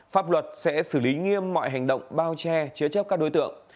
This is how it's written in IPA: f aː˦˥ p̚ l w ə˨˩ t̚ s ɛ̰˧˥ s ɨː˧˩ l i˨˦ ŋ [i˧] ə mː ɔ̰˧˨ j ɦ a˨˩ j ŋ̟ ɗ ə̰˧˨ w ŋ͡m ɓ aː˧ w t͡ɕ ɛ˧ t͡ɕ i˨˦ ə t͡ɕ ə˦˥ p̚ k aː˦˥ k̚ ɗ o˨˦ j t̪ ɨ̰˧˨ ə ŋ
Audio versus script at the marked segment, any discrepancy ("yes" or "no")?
no